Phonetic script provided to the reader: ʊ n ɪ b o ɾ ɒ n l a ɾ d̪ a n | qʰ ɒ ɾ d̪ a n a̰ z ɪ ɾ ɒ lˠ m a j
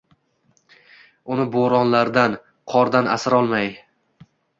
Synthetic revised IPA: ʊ n ɪ b o ɾ ɒ n l a ɾ d̪ a n | qʰ ɒ ɾ d̪ a n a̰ s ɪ ɾ ɒ lˠ m a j